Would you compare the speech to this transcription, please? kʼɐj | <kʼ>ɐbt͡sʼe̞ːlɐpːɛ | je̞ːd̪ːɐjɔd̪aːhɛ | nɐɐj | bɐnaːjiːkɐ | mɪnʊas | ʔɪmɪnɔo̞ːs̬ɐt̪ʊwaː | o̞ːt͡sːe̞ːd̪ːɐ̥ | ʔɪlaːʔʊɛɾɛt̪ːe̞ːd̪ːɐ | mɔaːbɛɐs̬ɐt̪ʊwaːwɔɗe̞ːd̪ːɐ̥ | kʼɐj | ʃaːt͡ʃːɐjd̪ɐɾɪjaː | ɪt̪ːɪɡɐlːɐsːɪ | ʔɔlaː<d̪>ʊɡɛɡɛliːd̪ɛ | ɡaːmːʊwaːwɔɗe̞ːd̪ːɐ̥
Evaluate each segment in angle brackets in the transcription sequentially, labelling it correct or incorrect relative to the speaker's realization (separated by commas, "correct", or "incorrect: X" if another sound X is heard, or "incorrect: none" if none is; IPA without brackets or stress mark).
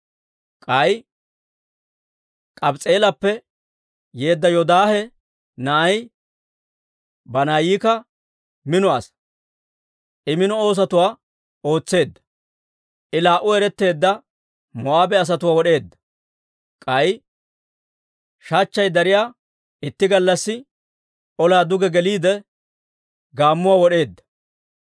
correct, correct